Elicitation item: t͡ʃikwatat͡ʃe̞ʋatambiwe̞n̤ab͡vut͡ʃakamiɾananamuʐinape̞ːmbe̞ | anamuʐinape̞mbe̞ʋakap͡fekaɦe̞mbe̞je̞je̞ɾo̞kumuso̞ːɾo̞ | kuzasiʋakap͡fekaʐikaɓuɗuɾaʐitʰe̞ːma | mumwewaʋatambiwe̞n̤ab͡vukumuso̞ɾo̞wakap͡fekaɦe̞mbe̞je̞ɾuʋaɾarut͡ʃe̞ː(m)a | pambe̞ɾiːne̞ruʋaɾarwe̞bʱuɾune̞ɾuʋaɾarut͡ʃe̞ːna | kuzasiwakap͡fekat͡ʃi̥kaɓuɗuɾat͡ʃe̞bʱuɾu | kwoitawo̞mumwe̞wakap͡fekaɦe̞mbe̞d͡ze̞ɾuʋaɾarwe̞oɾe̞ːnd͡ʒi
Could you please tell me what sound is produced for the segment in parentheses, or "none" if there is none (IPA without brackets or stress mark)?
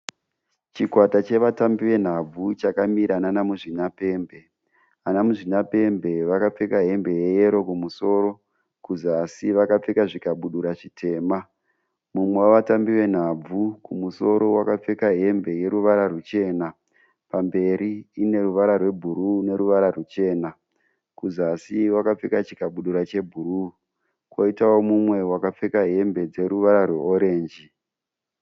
n